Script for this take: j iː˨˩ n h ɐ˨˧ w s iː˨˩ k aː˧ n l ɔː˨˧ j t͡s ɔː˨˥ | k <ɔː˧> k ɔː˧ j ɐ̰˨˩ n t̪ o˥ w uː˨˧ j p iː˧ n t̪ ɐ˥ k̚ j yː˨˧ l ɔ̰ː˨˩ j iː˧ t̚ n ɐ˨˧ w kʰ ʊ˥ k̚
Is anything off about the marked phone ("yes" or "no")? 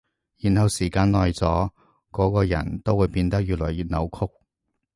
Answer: yes